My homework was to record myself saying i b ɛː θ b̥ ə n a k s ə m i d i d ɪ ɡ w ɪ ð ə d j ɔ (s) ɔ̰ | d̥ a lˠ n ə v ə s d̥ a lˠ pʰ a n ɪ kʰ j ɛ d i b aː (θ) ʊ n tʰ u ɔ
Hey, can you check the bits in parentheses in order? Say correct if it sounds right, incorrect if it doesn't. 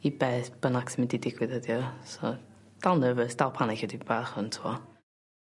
correct, incorrect

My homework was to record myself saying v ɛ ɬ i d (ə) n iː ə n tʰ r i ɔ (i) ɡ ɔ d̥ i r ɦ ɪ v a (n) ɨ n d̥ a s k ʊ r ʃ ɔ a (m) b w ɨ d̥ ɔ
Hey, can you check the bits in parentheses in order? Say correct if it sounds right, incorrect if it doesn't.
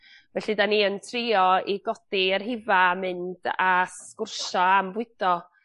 incorrect, correct, incorrect, correct

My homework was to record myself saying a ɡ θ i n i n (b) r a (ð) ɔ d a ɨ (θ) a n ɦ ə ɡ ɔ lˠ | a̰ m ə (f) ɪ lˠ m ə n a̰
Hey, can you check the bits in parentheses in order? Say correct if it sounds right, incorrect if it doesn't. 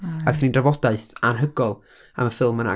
incorrect, incorrect, correct, correct

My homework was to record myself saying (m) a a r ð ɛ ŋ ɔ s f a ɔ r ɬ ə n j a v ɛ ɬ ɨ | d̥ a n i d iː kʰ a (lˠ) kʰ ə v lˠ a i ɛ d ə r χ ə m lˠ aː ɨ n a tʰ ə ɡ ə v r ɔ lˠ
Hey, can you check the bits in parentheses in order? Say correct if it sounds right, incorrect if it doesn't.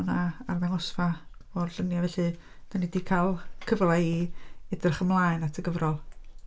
incorrect, correct

